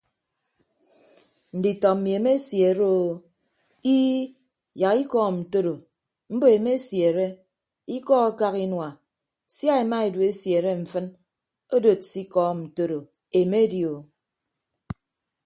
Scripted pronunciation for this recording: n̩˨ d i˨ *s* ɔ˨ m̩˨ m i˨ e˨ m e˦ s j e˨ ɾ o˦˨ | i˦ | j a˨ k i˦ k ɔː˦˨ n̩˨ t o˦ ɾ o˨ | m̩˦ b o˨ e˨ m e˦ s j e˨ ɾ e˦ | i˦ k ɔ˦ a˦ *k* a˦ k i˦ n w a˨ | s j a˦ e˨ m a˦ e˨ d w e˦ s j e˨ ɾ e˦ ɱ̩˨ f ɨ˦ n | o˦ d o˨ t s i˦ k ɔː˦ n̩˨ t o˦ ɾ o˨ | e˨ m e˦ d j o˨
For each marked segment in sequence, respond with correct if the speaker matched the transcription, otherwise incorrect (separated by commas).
incorrect, correct